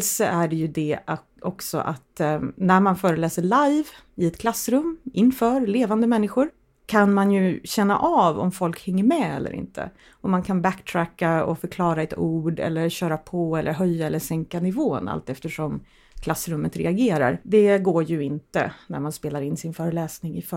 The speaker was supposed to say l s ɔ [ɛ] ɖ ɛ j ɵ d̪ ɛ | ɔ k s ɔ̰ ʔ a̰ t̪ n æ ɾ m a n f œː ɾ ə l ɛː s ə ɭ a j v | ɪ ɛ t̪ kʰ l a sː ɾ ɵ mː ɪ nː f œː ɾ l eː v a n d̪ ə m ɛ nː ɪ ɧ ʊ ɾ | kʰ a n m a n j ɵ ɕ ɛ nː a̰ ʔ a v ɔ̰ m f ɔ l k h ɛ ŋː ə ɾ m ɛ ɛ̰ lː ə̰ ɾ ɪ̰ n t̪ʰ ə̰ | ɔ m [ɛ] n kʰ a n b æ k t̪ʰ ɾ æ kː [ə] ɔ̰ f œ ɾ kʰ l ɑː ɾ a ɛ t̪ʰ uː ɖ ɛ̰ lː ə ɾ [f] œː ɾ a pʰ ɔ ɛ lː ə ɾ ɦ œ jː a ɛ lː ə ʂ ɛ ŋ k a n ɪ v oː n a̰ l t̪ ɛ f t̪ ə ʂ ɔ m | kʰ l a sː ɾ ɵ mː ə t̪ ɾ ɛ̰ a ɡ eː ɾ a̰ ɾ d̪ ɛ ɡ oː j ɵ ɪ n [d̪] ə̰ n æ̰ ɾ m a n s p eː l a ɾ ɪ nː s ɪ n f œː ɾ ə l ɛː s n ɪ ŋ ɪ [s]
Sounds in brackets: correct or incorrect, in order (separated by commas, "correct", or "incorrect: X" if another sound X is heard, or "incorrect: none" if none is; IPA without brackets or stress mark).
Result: incorrect: æ, incorrect: a, incorrect: a, incorrect: ɕ, incorrect: t̪, incorrect: f